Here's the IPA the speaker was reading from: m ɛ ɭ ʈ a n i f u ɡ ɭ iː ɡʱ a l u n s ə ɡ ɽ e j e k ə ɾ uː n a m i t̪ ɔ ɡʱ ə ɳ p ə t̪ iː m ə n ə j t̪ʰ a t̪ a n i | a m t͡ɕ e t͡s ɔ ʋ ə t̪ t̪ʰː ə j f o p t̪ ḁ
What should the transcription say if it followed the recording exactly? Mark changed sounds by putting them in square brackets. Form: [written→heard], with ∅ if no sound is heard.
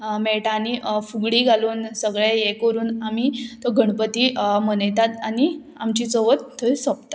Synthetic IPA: m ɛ ɭ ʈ a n i f u ɡ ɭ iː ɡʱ a l [u→uː] n s ə ɡ [ɽ→ɭ] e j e k ə ɾ uː n a m i t̪ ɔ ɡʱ ə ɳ p ə t̪ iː m ə n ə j [t̪ʰ→t̪] a t̪ a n i | a m t͡ɕ [e→i] t͡s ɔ ʋ ə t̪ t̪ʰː ə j [f→s] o p t̪ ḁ